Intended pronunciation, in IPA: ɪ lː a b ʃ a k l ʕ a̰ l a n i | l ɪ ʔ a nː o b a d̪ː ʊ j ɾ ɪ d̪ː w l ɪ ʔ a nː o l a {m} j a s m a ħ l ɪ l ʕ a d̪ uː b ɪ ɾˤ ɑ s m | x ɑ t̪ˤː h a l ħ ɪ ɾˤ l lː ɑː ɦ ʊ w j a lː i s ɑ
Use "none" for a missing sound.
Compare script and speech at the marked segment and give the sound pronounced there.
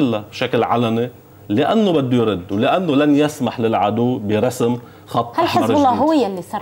n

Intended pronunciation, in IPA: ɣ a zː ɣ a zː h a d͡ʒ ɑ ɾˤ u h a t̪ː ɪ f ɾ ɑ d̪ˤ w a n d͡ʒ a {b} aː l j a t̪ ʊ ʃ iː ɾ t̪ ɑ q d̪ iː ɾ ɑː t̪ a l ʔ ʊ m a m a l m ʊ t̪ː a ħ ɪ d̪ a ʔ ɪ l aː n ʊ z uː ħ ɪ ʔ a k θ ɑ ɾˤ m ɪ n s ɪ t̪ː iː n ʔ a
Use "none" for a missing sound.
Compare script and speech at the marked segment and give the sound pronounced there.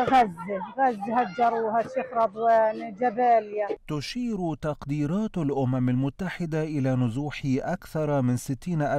b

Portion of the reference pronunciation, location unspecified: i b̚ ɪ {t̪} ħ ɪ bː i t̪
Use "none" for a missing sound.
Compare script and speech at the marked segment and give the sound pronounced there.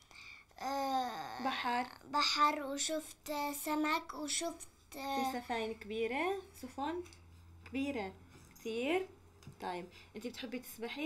t̪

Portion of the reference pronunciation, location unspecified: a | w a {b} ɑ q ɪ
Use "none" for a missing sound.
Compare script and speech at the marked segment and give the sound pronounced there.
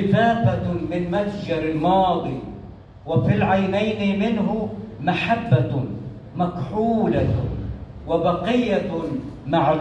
b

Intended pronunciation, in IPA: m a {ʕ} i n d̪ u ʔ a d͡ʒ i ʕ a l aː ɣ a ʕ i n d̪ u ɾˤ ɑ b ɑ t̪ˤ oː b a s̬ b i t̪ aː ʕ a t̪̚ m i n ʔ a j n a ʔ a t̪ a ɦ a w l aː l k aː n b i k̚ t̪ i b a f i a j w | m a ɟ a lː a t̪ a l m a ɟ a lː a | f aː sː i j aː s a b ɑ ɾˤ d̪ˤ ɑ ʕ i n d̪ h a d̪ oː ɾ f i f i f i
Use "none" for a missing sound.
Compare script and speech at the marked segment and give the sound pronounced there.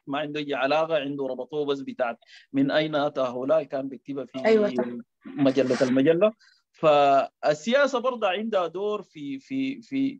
ʕ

